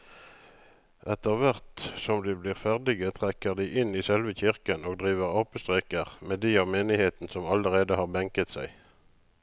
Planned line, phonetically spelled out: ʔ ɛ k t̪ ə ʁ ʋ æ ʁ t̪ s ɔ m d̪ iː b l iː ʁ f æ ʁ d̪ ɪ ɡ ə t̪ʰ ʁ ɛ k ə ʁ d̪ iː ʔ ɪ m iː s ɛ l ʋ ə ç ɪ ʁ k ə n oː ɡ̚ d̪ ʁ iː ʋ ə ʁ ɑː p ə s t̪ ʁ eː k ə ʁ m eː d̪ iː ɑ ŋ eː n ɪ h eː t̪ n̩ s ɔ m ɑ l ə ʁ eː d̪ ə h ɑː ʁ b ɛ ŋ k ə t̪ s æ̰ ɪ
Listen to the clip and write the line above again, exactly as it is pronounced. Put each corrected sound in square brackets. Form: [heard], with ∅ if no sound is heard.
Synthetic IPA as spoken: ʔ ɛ [∅] t̪ ə ʁ ʋ æ ʁ t̪ s ɔ m d̪ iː b l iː ʁ f æ ʁ d̪ ɪ ɡ ə t̪ʰ ʁ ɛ k ə ʁ d̪ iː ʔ ɪ [n] iː s ɛ l ʋ ə ç ɪ ʁ k ə n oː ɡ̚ d̪ ʁ iː ʋ ə ʁ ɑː p ə s t̪ ʁ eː k ə ʁ m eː d̪ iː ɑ [m] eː n ɪ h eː t̪ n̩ s ɔ m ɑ l ə ʁ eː d̪ ə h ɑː ʁ b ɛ ŋ k ə t̪ s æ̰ ɪ

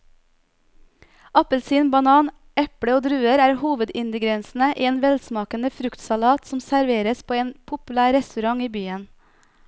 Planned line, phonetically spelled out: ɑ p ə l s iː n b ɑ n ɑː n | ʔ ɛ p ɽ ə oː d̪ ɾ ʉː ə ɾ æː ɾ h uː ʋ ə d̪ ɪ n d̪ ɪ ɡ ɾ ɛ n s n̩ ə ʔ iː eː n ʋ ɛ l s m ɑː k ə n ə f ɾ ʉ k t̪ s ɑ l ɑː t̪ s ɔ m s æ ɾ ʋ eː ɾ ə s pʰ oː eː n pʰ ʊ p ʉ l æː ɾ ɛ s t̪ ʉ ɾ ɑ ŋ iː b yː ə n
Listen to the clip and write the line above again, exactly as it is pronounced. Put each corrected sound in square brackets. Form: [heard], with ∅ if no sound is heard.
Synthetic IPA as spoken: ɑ p ə l s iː n b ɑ n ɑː n | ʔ ɛ p ɽ ə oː d̪ ɾ ʉː ə ɾ æː ɾ h uː ʋ ə d̪ ɪ n d̪ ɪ ɡ ɾ ɛ n s n̩ ə ʔ iː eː n ʋ ɛ l s m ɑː k ə n ə f ɾ ʉ k t̪ s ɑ l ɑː t̪ s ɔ m s æ ɾ ʋ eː ɾ ə s pʰ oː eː n pʰ ʊ p ʉ l æː ɾ ɛ s t̪ ʉ ɾ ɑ ŋ iː b yː ə n

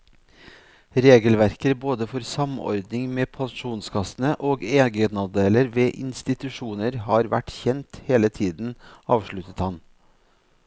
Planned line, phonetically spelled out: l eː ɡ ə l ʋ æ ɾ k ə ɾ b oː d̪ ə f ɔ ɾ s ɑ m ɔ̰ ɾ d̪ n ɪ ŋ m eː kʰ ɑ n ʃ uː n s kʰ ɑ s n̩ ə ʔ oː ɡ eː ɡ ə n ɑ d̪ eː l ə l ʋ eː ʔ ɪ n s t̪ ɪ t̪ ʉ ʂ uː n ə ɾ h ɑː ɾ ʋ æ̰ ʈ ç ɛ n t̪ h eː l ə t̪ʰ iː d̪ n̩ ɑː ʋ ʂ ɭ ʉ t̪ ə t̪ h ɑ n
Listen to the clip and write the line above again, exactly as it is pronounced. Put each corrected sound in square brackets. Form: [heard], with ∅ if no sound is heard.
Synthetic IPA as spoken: [ɾ] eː ɡ ə l ʋ æ ɾ k ə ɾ b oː d̪ ə f ɔ ɾ s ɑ m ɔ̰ ɾ d̪ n ɪ ŋ m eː [pʰ] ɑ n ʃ uː n s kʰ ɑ s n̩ ə ʔ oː ɡ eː ɡ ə n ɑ d̪ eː l ə [ɾ] ʋ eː ʔ ɪ n s t̪ ɪ t̪ ʉ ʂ uː n ə ɾ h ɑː ɾ ʋ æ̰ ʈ ç ɛ n t̪ h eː l ə t̪ʰ iː d̪ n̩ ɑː ʋ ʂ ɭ ʉ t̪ ə t̪ h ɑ n

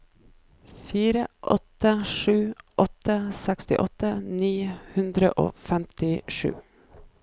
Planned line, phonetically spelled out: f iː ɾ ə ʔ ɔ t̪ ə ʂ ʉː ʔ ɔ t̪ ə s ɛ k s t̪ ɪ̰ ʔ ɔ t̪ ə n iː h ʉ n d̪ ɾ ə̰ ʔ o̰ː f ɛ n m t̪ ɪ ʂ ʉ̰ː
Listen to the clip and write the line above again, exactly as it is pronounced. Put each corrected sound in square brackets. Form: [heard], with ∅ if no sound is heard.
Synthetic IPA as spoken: f iː ɾ ə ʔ ɔ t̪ ə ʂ ʉː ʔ ɔ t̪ ə s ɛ k s t̪ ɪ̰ ʔ ɔ t̪ ə n iː h ʉ n d̪ ɾ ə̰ ʔ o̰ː f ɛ [∅] m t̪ ɪ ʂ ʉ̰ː

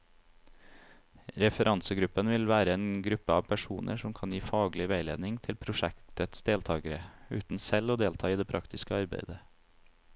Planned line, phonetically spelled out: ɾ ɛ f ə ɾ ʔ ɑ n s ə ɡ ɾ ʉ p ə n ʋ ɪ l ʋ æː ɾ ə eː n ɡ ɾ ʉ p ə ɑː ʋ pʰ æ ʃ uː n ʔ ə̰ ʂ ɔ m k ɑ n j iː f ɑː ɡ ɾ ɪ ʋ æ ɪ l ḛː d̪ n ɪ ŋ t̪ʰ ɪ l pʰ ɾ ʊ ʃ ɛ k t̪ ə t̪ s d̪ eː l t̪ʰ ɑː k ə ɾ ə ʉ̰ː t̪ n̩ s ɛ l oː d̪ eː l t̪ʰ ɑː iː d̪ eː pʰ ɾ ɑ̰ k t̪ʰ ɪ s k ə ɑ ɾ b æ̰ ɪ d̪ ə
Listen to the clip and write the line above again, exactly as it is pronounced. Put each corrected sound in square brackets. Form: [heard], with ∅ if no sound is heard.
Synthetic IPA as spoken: ɾ ɛ f ə ɾ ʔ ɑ n s ə ɡ ɾ ʉ p ə n ʋ ɪ l ʋ æː ɾ ə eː n ɡ ɾ ʉ p ə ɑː ʋ pʰ æ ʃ uː n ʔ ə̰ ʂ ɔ m [kʰ] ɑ n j iː f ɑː ɡ [l] ɪ ʋ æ ɪ l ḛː d̪ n ɪ ŋ t̪ʰ ɪ l pʰ ɾ ʊ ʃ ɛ k t̪ ə t̪ s d̪ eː l t̪ʰ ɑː [ɡ] ə ɾ ə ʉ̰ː t̪ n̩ s ɛ l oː d̪ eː l t̪ʰ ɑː iː d̪ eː pʰ ɾ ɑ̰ k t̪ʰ ɪ s k ə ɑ ɾ b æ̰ ɪ d̪ ə

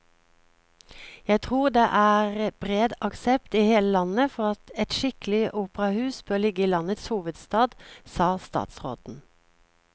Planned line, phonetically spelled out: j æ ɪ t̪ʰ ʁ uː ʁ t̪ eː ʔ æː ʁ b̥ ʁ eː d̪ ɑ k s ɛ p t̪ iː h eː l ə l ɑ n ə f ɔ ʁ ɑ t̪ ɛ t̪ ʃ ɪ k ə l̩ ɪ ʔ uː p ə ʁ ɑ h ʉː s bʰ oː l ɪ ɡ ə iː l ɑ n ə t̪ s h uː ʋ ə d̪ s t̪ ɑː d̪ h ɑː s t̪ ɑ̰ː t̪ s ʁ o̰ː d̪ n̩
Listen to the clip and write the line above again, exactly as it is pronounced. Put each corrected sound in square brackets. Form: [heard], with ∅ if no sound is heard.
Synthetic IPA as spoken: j æ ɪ t̪ʰ ʁ uː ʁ [d̪] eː ʔ æː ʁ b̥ ʁ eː d̪ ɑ k s ɛ p t̪ iː h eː l ə l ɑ n ə f ɔ ʁ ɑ t̪ ɛ t̪ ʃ ɪ k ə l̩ ɪ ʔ uː p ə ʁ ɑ h ʉː s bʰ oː l ɪ ɡ ə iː l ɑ n ə t̪ s h uː ʋ ə d̪ s t̪ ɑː d̪ [s] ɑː s t̪ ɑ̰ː t̪ s ʁ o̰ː d̪ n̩

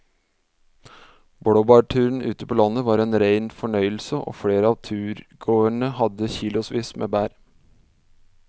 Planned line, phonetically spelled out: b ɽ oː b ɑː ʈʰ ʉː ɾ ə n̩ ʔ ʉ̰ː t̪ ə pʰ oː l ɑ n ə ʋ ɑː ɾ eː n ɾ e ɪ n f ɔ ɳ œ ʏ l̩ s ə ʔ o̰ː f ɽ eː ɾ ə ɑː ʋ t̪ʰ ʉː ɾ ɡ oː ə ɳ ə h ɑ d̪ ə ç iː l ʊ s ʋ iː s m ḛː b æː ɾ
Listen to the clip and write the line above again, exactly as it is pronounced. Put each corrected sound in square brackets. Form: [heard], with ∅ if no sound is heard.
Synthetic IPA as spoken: b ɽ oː b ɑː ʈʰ ʉː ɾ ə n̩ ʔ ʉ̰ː t̪ ə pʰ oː l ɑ n ə ʋ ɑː ɾ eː n ɾ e ɪ n f ɔ ɳ œ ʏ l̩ s ə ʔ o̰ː f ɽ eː ɾ ə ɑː ʋ t̪ʰ ʉː ɾ ɡ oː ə ɳ ə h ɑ d̪ ə ç iː l ʊ s ʋ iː s m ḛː b æː ɾ

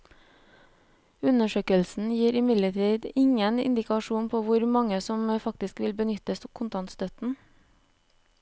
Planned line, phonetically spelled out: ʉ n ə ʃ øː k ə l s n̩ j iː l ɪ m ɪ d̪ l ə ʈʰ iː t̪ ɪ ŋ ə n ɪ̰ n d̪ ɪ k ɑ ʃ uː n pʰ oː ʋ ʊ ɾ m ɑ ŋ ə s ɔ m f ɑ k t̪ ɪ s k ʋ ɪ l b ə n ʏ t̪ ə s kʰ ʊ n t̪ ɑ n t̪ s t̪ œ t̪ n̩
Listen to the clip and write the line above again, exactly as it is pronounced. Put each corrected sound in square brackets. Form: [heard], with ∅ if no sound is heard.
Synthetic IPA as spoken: ʉ n ə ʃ øː k ə l s n̩ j iː [ɾ] ɪ m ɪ d̪ l ə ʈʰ iː [d̪] ɪ ŋ ə n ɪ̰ n d̪ ɪ k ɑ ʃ uː n pʰ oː ʋ ʊ ɾ m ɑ ŋ ə s ɔ m f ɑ k t̪ ɪ s k ʋ ɪ l b ə n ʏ t̪ ə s kʰ ʊ n t̪ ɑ n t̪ s t̪ œ t̪ n̩

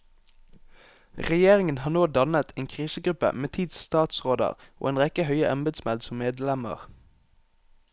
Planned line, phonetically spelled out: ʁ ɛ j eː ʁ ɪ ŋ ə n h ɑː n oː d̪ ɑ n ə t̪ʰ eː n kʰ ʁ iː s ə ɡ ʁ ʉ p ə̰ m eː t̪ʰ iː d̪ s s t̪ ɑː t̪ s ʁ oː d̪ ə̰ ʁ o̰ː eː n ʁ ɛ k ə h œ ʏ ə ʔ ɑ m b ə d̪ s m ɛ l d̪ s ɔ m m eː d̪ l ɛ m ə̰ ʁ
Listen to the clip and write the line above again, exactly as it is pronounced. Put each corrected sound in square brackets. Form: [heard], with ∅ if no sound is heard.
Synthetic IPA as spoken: ʁ ɛ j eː ʁ ɪ ŋ ə n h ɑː n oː d̪ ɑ n ə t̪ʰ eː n kʰ ʁ iː s ə ɡ ʁ ʉ p ə̰ m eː t̪ʰ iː d̪ s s t̪ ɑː t̪ s ʁ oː d̪ ə̰ ʁ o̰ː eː n ʁ ɛ k ə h œ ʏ ə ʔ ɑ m b ə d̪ s m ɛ l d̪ s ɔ m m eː d̪ l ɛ m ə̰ ʁ

